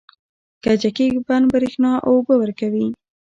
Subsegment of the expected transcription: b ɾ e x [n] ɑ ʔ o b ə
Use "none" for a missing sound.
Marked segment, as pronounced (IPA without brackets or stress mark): n